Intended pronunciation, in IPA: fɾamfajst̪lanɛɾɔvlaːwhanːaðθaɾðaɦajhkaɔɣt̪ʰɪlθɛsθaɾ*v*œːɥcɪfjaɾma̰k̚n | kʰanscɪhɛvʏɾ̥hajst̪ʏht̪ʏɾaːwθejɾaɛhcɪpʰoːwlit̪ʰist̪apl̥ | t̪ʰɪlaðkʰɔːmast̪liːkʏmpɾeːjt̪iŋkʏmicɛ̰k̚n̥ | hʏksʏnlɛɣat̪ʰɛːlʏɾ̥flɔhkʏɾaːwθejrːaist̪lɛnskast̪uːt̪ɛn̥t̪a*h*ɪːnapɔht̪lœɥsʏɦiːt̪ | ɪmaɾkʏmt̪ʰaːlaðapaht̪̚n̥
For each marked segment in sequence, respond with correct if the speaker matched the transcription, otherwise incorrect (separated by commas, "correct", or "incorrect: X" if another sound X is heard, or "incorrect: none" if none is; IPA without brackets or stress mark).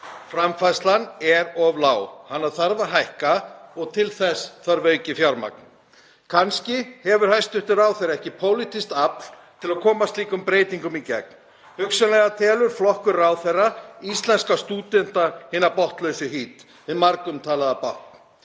correct, correct